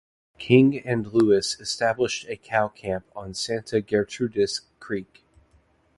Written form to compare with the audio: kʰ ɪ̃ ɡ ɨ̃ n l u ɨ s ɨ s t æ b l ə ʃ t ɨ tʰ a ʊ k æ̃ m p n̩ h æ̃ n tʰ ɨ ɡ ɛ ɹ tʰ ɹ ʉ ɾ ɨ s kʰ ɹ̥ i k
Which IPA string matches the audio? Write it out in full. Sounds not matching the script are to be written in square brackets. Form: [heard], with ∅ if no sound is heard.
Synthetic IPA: kʰ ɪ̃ [ŋ] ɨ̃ n l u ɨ s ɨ s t æ b l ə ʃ t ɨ [kʰ] a ʊ [kʰ] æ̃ m p n̩ [s] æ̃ n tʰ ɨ ɡ ɛ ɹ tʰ ɹ ʉ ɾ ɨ s kʰ ɹ̥ i k

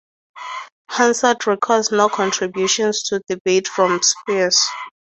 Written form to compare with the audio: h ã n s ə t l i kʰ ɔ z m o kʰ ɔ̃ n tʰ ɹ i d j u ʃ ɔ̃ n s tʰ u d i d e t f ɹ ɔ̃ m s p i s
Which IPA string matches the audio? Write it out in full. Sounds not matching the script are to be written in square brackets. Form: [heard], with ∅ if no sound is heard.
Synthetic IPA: h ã n s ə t [ɹ] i kʰ ɔ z [n] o kʰ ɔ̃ n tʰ ɹ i [b] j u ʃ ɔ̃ n s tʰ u d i [b] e t f ɹ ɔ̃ m s p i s

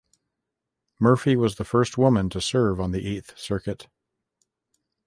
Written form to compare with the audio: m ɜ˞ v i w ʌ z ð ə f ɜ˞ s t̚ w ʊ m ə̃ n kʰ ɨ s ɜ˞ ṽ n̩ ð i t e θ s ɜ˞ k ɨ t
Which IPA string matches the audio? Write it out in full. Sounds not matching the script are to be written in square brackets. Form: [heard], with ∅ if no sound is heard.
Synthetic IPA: m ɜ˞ [f] i w ʌ z ð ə f ɜ˞ s t̚ w ʊ m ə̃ n [tʰ] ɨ s ɜ˞ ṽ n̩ ð i [ʔ] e θ s ɜ˞ k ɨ t

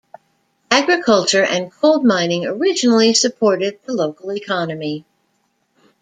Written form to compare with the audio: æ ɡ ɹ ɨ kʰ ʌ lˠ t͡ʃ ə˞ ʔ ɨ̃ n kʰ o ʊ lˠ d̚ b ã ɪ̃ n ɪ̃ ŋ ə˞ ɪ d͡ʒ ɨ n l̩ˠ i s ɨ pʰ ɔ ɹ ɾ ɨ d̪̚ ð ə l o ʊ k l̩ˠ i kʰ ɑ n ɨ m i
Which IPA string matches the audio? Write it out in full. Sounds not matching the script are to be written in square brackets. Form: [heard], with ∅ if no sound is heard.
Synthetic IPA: æ ɡ ɹ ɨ kʰ ʌ lˠ t͡ʃ ə˞ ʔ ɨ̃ n kʰ o ʊ lˠ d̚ [m] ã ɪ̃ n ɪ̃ ŋ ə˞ ɪ d͡ʒ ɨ n l̩ˠ i s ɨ pʰ ɔ ɹ ɾ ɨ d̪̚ ð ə l o ʊ k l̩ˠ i kʰ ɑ n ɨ m i

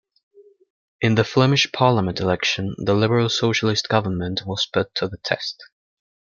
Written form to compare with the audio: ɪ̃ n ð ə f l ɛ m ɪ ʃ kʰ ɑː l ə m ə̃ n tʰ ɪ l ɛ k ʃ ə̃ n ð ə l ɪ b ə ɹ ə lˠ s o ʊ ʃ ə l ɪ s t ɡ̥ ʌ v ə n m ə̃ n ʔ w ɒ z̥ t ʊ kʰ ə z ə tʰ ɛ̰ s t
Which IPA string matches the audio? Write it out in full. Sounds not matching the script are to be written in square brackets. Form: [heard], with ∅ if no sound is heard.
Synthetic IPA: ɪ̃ n ð ə f l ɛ m ɪ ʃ [pʰ] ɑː l ə m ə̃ n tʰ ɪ l ɛ k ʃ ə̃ n ð ə l ɪ b ə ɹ ə lˠ s o ʊ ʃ ə l ɪ s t ɡ̥ ʌ v ə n m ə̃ n ʔ w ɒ z̥ [p] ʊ [tʰ] ə [ð] ə tʰ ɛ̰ s t

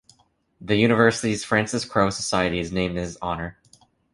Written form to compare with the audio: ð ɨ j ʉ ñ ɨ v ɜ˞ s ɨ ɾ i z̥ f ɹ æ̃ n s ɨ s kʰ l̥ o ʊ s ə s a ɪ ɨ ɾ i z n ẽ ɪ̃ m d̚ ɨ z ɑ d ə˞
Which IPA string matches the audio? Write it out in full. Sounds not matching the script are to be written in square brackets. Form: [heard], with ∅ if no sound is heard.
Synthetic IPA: ð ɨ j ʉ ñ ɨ v ɜ˞ s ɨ ɾ i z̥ f ɹ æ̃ n s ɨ s kʰ [ɹ̥] o ʊ s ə s a ɪ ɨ ɾ i z n ẽ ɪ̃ m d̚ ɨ z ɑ [n] ə˞

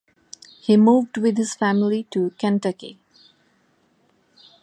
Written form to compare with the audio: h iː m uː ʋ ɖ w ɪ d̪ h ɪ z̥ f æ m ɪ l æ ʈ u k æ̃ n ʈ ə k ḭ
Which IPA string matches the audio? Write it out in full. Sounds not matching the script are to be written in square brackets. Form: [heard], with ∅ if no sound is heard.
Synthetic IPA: h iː m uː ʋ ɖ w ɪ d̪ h ɪ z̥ f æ m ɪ l [i] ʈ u k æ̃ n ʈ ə k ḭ

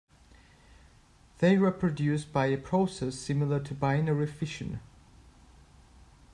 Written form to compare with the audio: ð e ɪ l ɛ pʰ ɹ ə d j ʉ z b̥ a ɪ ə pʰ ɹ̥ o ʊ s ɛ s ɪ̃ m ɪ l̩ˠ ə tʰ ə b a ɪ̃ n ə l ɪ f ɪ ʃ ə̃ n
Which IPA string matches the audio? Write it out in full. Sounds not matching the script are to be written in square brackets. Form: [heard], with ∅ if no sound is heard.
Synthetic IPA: ð e ɪ [ɹ] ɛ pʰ ɹ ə d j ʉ [s] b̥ a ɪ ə pʰ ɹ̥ o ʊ s ɛ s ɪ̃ m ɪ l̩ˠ ə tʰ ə b a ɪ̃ n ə [ɹ] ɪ f ɪ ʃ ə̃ n

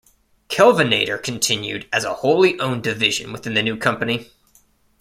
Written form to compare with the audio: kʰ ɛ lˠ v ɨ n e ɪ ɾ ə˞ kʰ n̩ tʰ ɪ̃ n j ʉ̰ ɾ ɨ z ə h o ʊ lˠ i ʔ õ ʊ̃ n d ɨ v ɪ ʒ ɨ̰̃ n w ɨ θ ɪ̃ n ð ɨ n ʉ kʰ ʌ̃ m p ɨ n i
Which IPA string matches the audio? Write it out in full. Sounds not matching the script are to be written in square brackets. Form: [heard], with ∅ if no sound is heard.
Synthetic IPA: kʰ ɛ lˠ v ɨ n e ɪ ɾ ə˞ kʰ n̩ tʰ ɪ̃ n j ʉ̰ ɾ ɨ z ə h o ʊ lˠ i ʔ õ ʊ̃ n d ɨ v ɪ ʒ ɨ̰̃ n w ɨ θ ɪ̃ n ð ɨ n ʉ kʰ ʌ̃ m p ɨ n i

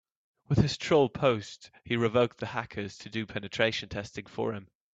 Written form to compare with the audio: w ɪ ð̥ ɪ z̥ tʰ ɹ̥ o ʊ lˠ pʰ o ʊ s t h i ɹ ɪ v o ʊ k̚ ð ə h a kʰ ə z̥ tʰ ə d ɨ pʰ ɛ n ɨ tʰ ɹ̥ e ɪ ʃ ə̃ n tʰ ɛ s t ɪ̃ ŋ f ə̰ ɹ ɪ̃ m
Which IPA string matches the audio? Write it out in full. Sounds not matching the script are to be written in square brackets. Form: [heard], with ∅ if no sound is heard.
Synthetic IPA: w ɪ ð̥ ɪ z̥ tʰ ɹ̥ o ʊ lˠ pʰ o ʊ s t h i ɹ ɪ v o ʊ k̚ ð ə h a kʰ ə z̥ tʰ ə d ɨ pʰ ɛ n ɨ tʰ ɹ̥ e ɪ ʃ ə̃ n tʰ ɛ s t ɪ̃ ŋ f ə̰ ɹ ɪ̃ m

